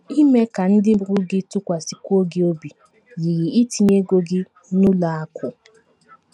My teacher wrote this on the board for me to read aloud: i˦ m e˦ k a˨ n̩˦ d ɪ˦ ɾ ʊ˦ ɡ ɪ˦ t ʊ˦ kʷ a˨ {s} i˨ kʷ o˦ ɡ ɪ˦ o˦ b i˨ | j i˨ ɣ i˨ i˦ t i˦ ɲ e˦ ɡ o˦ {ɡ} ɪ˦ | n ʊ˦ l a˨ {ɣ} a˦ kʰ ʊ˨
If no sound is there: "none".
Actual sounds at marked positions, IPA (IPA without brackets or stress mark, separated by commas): s, ɡ, none